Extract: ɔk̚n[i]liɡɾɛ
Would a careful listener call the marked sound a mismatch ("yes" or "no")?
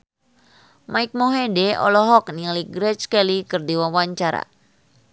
no